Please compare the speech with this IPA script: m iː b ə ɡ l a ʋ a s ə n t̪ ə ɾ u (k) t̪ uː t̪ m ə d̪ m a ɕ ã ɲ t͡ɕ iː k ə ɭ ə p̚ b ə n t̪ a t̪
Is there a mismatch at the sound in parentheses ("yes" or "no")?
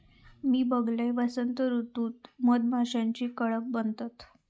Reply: yes